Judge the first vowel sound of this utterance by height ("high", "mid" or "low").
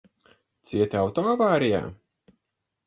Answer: high